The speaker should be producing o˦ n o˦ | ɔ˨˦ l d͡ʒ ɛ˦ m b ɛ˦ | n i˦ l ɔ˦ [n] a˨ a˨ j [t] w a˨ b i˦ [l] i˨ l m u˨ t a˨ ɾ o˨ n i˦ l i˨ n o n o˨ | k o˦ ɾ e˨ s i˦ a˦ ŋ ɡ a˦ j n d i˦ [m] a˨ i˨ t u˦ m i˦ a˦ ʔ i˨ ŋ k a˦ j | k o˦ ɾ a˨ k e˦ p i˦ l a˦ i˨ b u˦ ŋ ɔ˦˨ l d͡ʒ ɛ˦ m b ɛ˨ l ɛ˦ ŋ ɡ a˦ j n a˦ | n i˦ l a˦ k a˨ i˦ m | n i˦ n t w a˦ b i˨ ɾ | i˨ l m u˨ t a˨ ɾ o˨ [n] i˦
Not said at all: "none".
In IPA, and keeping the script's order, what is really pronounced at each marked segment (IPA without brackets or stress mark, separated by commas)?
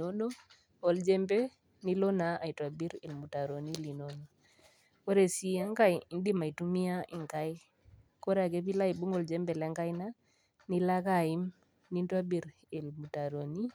n, t, ɾ, m, n